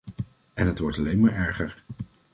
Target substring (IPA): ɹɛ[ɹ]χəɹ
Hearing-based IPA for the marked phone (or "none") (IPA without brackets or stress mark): ɹ